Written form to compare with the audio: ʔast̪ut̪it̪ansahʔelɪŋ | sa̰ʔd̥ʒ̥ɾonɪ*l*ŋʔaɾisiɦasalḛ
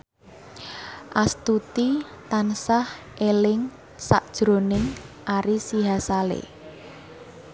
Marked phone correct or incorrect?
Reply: incorrect: none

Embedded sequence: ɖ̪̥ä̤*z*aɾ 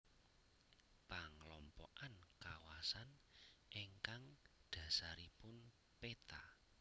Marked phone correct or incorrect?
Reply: incorrect: s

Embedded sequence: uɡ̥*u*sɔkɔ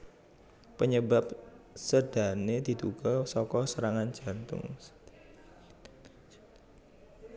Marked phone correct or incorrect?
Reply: incorrect: ɔ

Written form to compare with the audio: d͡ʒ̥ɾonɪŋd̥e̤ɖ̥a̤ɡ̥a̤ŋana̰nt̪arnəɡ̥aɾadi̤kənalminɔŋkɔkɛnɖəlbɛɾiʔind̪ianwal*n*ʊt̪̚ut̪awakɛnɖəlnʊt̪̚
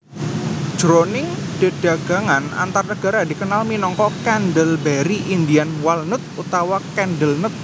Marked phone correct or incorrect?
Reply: correct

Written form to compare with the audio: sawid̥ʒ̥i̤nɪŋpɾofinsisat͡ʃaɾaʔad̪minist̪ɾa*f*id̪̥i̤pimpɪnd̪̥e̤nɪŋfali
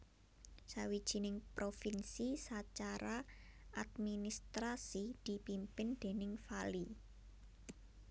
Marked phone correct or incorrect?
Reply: incorrect: s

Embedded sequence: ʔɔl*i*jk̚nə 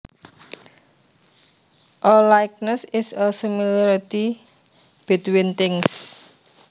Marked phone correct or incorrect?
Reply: incorrect: a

